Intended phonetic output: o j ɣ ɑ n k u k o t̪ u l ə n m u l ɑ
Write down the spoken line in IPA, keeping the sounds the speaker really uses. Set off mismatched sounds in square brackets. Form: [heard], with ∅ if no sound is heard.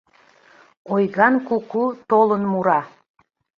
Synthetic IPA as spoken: o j ɣ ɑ n k u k [u] t̪ [o] l ə n m u [ɾ] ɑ